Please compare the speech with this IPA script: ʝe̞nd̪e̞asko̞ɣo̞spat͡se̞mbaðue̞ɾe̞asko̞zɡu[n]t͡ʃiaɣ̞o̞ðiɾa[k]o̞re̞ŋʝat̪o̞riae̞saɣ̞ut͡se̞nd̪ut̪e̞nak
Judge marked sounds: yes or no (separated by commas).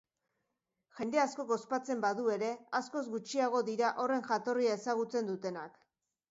no, no